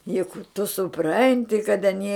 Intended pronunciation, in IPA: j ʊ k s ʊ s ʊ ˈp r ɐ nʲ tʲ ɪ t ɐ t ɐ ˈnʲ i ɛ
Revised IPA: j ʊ k t ʊ s ʊ ˈp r ɐ nʲ tʲ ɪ k ɐ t ɐ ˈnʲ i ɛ